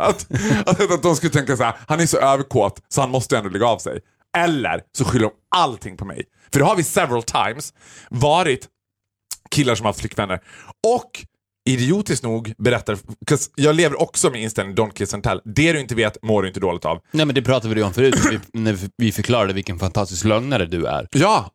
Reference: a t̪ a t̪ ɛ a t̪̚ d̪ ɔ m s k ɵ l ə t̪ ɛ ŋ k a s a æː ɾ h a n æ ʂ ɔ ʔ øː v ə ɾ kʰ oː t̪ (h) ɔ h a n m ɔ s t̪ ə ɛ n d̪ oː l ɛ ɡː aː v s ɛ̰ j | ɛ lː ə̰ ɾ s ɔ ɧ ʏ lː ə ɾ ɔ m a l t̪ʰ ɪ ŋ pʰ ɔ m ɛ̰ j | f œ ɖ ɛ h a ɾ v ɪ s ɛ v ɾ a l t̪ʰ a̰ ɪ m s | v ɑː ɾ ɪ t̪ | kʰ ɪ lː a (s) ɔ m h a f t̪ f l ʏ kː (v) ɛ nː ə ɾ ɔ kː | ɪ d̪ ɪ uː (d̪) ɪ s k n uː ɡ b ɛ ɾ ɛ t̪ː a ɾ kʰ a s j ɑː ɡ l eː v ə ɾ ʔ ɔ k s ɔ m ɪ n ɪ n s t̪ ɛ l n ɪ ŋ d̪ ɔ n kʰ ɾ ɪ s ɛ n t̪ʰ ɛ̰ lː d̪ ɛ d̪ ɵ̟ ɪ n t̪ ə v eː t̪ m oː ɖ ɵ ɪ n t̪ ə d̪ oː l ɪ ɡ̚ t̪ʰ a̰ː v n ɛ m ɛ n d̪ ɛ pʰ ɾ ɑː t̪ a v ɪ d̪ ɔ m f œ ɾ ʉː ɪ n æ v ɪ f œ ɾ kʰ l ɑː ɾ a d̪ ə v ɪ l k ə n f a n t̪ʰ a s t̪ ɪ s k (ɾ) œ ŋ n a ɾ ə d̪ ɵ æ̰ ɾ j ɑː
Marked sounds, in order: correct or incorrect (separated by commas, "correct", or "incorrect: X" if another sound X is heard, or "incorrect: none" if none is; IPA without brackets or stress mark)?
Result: incorrect: s, incorrect: ʂ, correct, incorrect: t̪, incorrect: l